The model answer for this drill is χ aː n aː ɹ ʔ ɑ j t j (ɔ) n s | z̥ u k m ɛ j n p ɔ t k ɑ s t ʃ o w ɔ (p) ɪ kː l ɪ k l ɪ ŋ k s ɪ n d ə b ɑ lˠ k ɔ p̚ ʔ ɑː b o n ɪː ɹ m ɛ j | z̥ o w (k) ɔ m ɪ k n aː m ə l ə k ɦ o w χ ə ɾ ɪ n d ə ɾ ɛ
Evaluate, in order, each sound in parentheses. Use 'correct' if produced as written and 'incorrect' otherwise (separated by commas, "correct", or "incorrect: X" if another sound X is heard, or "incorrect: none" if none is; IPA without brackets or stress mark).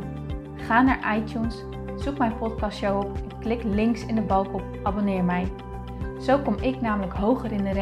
incorrect: u, correct, correct